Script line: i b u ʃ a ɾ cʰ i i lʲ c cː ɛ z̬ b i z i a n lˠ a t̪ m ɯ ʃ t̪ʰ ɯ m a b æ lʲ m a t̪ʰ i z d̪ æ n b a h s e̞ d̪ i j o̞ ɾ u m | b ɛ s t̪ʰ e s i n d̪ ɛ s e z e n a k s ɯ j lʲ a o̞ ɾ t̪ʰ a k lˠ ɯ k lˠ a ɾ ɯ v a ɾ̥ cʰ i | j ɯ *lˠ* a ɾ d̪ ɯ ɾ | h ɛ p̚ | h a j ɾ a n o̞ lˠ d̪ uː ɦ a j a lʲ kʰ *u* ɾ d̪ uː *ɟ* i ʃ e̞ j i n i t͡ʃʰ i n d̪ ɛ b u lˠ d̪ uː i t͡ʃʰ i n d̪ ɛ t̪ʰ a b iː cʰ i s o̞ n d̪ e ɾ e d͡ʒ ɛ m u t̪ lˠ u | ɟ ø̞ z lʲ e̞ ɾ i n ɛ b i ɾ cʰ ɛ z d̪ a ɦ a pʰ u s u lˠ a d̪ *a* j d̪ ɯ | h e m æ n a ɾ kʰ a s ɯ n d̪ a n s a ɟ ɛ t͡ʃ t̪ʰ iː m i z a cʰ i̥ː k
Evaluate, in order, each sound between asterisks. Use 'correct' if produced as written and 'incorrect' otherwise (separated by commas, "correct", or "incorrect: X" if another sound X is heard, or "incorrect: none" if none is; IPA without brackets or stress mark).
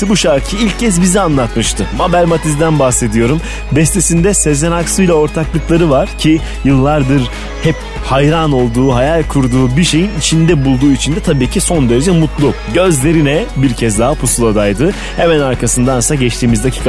incorrect: lˠː, correct, incorrect: b, correct